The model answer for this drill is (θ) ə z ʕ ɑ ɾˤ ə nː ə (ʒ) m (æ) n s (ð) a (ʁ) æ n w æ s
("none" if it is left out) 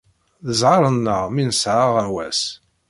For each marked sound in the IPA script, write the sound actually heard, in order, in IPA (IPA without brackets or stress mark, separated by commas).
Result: ð, ʁ, i, ʕ, ʁ